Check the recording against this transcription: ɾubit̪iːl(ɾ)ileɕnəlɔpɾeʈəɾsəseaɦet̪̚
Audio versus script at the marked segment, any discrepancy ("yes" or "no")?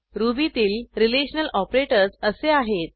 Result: no